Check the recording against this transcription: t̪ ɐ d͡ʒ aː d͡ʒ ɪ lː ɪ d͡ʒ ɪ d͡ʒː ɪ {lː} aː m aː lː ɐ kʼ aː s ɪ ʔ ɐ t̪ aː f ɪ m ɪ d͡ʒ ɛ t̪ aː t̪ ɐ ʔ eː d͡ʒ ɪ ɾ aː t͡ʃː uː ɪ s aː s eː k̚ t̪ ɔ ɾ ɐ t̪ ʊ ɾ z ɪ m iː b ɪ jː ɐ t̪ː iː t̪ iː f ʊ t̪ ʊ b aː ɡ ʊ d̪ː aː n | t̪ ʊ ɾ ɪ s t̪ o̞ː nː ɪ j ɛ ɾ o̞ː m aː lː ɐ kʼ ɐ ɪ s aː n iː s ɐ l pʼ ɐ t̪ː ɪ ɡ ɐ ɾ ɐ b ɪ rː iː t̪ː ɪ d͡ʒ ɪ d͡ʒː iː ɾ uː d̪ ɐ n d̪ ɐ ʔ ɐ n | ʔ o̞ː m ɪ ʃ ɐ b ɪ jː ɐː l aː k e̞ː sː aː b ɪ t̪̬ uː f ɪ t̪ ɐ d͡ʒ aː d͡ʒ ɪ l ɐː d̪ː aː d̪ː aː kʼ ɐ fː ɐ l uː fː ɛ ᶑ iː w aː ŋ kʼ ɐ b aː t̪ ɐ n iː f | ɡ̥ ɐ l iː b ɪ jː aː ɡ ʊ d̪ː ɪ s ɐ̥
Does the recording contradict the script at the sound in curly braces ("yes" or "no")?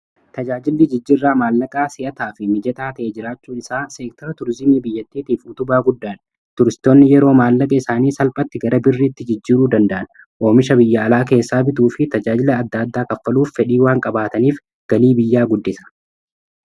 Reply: yes